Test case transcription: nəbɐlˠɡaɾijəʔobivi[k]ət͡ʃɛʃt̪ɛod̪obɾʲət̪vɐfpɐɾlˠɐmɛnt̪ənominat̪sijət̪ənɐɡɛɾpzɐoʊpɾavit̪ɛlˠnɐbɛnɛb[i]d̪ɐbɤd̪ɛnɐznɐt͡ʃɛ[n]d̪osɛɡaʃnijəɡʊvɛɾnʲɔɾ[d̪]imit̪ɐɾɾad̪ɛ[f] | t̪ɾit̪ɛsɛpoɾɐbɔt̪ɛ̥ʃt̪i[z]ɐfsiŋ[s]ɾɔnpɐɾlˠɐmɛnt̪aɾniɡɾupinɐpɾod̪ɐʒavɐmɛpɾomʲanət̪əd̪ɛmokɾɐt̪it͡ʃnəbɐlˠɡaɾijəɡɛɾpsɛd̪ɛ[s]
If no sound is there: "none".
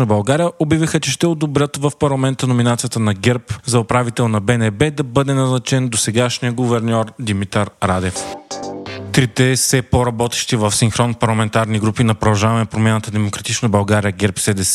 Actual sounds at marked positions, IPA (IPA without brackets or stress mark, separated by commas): x, ɛ, n, d̪, f, v, x, s